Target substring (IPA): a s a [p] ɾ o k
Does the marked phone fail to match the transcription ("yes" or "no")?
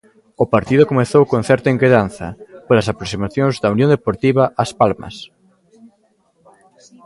no